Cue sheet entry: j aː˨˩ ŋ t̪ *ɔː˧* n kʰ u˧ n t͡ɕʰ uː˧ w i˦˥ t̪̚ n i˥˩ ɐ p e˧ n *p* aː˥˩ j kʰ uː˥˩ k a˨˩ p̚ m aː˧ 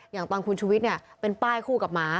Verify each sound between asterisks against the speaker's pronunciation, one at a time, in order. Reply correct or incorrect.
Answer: correct, correct

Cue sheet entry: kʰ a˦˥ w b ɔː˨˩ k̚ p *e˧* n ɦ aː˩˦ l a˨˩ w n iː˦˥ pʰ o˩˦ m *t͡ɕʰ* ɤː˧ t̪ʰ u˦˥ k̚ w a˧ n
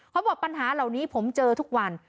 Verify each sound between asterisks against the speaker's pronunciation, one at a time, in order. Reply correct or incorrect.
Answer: incorrect, incorrect

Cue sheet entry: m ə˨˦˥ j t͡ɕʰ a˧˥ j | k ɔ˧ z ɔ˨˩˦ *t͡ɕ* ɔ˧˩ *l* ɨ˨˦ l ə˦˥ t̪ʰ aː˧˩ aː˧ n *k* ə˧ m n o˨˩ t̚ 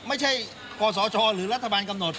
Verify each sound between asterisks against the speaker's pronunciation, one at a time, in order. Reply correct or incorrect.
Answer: correct, correct, correct

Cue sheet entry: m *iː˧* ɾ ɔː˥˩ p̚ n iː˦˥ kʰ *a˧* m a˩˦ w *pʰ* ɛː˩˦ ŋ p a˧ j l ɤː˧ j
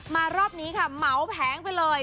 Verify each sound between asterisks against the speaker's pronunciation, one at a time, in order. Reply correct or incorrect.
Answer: incorrect, incorrect, correct

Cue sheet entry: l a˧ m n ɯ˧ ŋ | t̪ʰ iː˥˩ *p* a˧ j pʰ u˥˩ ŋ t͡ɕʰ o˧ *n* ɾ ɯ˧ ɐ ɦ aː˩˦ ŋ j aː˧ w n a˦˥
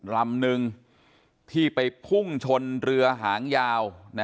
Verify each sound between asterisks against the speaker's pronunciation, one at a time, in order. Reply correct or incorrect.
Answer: correct, correct

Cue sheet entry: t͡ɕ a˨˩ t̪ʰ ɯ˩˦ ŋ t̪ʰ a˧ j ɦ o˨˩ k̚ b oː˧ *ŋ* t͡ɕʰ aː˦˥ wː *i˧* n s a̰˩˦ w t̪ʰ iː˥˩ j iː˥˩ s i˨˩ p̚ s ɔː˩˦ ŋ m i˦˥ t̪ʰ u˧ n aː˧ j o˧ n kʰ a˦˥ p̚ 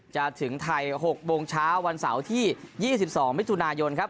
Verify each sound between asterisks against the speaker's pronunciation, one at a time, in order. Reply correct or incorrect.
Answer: correct, incorrect

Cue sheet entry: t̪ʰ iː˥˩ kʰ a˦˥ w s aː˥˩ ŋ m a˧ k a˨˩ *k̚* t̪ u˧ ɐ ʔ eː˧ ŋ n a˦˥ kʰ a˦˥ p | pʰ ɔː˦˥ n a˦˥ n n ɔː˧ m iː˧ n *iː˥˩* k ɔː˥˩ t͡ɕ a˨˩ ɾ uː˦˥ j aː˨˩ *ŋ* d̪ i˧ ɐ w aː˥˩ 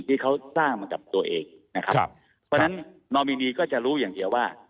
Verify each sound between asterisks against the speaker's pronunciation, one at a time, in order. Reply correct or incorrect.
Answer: incorrect, incorrect, correct

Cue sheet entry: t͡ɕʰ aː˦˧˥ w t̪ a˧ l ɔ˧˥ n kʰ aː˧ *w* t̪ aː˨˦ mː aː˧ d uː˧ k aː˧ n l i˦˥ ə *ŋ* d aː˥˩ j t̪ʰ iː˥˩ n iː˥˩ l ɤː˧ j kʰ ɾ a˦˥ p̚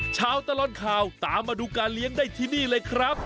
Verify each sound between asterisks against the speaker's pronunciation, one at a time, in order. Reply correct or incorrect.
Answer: correct, correct

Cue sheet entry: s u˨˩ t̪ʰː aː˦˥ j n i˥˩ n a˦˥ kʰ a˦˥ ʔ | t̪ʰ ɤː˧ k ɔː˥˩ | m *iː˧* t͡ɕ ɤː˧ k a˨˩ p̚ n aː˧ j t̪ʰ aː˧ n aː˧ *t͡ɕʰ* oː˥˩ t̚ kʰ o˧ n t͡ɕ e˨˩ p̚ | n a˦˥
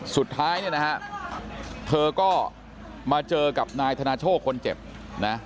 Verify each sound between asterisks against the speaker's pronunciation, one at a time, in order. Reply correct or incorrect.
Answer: incorrect, correct

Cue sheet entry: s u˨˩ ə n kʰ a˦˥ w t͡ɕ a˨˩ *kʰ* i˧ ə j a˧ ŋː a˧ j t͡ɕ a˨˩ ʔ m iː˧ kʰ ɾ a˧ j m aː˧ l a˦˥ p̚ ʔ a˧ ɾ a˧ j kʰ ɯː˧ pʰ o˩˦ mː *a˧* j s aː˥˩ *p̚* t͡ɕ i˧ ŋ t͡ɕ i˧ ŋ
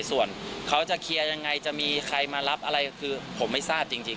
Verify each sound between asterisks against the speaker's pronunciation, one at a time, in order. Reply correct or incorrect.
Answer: correct, incorrect, correct

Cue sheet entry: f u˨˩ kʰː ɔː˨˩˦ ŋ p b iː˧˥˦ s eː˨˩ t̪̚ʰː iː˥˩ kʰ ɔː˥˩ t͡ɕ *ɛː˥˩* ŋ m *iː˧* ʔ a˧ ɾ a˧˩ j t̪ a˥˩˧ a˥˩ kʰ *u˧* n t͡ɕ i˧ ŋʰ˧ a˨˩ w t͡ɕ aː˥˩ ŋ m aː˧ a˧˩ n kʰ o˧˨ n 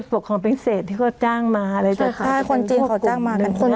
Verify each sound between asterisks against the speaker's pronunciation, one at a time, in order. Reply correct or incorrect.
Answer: incorrect, incorrect, incorrect

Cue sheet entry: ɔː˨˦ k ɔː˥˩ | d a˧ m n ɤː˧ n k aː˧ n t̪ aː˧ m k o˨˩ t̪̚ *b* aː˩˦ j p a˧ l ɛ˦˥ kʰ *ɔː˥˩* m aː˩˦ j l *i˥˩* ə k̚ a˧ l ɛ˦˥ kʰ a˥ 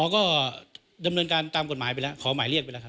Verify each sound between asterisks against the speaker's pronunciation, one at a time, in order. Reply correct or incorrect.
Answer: incorrect, incorrect, correct

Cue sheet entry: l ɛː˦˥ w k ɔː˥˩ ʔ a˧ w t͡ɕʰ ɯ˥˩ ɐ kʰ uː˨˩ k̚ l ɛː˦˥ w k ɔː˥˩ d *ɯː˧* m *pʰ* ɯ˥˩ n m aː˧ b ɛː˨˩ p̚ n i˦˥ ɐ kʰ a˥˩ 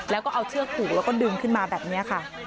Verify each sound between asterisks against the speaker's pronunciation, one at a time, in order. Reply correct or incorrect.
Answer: correct, incorrect

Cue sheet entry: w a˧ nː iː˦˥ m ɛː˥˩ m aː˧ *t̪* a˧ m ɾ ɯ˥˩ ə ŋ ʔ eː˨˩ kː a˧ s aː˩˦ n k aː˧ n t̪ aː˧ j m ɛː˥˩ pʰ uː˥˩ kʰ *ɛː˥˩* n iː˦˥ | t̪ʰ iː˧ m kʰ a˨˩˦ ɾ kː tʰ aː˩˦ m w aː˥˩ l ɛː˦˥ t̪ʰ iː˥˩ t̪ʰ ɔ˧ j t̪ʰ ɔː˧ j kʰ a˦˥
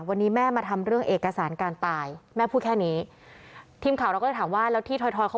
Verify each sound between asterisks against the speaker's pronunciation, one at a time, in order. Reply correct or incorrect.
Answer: incorrect, correct

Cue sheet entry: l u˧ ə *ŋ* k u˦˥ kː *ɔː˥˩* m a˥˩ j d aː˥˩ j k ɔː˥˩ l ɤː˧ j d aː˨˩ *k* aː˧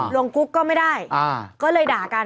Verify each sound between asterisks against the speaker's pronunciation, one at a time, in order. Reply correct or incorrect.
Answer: correct, correct, correct

